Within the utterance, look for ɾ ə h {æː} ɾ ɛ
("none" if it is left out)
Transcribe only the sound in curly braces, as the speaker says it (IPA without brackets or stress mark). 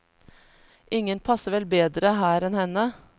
æː